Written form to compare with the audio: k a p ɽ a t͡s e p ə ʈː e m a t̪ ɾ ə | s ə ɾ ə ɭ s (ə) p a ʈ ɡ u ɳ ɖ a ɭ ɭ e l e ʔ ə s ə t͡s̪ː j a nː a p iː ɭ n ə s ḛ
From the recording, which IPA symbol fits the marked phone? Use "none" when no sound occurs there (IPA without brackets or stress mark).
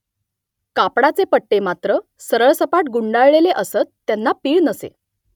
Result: ə